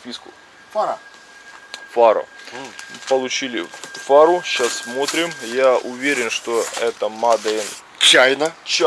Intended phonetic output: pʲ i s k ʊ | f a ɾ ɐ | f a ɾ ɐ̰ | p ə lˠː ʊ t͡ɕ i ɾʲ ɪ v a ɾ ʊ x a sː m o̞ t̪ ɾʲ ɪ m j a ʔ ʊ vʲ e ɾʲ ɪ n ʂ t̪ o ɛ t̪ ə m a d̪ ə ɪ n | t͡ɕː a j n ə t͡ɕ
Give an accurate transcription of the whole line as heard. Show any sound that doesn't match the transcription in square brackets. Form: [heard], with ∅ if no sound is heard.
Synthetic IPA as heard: pʲ i s k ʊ | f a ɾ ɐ | f a ɾ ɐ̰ | p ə [lˠ] ʊ t͡ɕ i [lʲ] ɪ [f] a ɾ ʊ [ɕ] a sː m o̞ t̪ ɾʲ ɪ m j a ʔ ʊ vʲ e ɾʲ ɪ n ʂ t̪ o ɛ t̪ ə m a d̪ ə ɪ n | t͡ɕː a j n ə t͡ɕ